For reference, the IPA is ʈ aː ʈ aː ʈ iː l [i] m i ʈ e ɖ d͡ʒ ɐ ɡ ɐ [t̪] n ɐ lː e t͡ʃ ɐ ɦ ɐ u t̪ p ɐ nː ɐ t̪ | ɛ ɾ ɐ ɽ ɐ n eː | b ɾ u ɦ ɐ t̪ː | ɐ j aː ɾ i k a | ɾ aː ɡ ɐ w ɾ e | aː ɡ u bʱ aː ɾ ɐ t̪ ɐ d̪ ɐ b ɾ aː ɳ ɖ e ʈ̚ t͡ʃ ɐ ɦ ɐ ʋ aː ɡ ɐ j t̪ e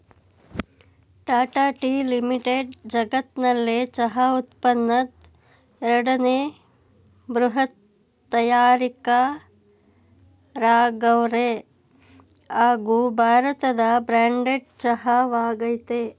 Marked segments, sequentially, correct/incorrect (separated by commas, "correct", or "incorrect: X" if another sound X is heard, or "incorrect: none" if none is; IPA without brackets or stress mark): correct, correct